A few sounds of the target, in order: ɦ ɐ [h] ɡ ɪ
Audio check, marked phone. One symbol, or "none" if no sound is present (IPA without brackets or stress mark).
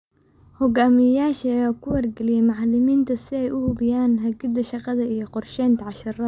none